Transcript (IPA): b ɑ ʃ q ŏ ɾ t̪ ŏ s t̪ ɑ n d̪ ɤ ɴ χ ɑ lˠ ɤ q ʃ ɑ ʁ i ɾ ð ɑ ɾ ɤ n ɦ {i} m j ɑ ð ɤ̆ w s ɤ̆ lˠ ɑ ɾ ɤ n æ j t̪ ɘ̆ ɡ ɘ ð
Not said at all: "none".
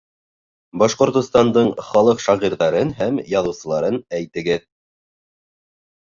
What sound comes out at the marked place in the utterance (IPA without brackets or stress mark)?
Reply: æ